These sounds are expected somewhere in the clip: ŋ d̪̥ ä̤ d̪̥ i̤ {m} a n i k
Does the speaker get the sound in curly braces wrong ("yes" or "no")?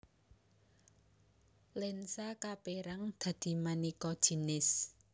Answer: no